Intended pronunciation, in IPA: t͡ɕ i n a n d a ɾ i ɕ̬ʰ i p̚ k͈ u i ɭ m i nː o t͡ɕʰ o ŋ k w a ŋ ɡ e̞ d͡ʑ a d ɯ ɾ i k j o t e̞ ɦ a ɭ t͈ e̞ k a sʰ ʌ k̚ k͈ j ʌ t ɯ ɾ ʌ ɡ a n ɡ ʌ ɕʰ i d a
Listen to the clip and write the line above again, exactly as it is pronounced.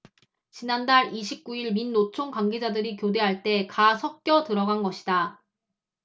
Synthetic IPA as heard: t͡ɕ i n a n d a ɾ i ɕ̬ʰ i p̚ k͈ u i ɭ m i nː o t͡ɕʰ o ŋ k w a ŋ ɡ e̞ d͡ʑ a d ɯ ɾ i k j o d e̞ ɦ a ɭ t͈ e̞ k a sʰ ʌ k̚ k͈ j ʌ t ɯ ɾ ʌ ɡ a n ɡ ʌ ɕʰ i d a